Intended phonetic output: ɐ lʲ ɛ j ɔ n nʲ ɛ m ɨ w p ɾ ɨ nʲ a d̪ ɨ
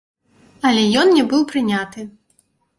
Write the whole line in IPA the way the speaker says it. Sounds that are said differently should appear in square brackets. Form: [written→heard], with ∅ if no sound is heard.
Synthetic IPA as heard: ɐ lʲ ɛ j ɔ n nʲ ɛ [m→b] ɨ w p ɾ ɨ nʲ a [d̪→t̪] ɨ

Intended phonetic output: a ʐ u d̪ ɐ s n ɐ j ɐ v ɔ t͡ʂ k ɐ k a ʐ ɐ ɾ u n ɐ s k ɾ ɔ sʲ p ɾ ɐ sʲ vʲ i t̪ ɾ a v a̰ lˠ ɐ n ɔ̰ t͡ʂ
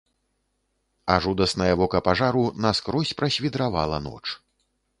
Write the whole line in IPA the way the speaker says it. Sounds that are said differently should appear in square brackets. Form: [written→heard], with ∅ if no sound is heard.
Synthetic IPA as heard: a ʐ u d̪ ɐ s n ɐ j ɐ v ɔ [t͡ʂ→∅] k ɐ [k→p] a ʐ [ɐ→a] ɾ u n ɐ s k ɾ ɔ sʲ p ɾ ɐ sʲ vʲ i [t̪→d̪] ɾ a v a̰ lˠ ɐ n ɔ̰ t͡ʂ

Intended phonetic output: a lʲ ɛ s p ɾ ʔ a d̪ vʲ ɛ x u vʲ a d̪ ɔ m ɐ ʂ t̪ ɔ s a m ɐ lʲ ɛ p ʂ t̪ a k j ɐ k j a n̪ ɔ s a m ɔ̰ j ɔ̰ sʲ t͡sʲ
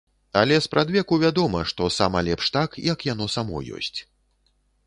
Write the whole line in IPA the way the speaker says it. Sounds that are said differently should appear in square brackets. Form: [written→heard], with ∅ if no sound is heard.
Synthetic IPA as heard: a lʲ ɛ s p ɾ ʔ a d̪ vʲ ɛ [x→k] u vʲ a d̪ ɔ m ɐ ʂ t̪ ɔ s a m ɐ lʲ ɛ p ʂ t̪ a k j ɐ k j a n̪ ɔ s a m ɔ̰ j ɔ̰ sʲ t͡sʲ

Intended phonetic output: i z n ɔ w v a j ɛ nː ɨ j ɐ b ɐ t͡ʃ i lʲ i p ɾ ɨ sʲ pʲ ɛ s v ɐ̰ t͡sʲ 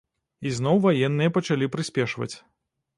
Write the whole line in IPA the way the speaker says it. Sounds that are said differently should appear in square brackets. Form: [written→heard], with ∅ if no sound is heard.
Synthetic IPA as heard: i z n ɔ w v a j ɛ nː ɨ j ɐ [b→p] ɐ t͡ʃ [i→a] lʲ i p ɾ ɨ sʲ pʲ ɛ [s→ʂ] v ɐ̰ t͡sʲ

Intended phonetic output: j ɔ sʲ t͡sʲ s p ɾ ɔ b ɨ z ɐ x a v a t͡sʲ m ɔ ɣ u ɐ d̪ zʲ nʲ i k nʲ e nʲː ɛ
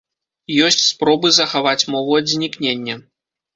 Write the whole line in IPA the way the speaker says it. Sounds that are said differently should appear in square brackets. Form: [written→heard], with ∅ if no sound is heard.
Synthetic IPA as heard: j ɔ sʲ t͡sʲ s p ɾ ɔ b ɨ z ɐ x a v a t͡sʲ m ɔ [ɣ→v] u ɐ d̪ zʲ nʲ i k nʲ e nʲː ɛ

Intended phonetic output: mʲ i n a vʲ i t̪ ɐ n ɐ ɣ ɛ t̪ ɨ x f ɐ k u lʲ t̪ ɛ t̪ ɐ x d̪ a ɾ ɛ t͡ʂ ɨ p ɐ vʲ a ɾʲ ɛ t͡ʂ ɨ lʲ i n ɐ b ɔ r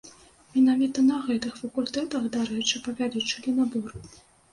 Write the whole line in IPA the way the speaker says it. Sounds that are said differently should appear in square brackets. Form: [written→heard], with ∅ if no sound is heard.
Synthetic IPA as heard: mʲ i n a vʲ i t̪ ɐ n ɐ ɣ ɛ t̪ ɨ x f ɐ k u lʲ t̪ ɛ t̪ ɐ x d̪ a ɾ ɛ t͡ʂ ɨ p ɐ vʲ a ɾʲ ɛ t͡ʂ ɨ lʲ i n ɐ b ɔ r

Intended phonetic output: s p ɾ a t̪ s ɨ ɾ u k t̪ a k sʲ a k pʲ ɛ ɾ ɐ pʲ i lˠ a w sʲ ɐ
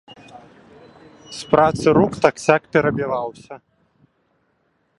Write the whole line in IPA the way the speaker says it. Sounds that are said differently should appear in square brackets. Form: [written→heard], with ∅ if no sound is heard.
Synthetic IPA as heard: s p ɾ a t̪ s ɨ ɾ u k t̪ a k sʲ a k pʲ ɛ ɾ ɐ [pʲ→bʲ] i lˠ a w sʲ ɐ

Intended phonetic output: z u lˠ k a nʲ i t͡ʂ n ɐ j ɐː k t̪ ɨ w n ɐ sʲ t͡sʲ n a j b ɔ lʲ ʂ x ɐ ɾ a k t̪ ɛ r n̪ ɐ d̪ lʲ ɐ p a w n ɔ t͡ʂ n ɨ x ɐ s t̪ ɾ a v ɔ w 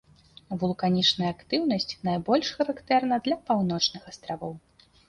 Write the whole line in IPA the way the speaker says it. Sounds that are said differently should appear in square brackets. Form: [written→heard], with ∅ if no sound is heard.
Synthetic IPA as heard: [z→v] u lˠ k a nʲ i t͡ʂ n ɐ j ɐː k t̪ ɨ w n ɐ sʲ t͡sʲ n a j b ɔ lʲ ʂ x ɐ ɾ a k t̪ ɛ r n̪ ɐ d̪ lʲ ɐ p a w n ɔ t͡ʂ n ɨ x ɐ s t̪ ɾ a v ɔ w

